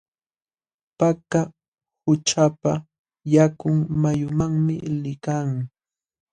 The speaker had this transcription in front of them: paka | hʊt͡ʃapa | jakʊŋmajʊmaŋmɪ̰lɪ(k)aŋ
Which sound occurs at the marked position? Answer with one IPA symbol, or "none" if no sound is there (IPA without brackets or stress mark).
k